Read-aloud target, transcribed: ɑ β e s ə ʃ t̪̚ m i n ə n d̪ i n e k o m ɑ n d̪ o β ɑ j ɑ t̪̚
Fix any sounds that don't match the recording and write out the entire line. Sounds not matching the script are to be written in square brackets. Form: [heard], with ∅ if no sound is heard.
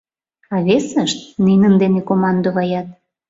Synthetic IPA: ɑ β e s ə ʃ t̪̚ [n] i n ə n d̪ [e] n e k o m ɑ n d̪ o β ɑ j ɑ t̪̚